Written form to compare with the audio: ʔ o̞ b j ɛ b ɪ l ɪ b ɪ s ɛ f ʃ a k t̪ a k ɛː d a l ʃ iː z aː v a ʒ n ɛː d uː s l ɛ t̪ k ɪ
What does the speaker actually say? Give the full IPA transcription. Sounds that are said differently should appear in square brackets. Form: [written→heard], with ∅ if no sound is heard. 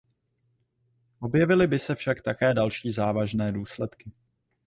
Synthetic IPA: ʔ o̞ b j ɛ [b→v] ɪ l ɪ b ɪ s ɛ f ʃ a k t̪ a k ɛː d a l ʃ iː z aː v a ʒ n ɛː d uː s l ɛ t̪ k ɪ